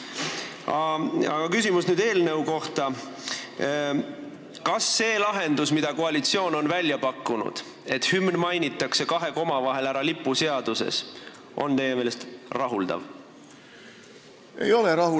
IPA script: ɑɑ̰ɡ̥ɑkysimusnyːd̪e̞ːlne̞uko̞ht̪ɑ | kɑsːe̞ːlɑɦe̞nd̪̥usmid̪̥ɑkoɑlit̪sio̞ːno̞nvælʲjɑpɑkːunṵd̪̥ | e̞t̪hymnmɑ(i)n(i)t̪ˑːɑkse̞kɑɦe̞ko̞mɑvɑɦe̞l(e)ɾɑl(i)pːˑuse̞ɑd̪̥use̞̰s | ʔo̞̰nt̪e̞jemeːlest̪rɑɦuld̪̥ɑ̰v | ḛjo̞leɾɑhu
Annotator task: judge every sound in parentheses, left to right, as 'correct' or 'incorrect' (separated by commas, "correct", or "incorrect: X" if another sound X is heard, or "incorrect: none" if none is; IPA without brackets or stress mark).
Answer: incorrect: j, correct, incorrect: æ, correct